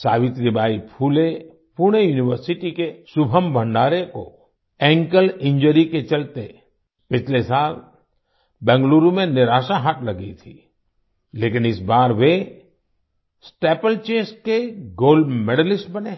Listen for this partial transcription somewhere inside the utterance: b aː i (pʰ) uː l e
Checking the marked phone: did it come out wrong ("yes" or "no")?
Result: no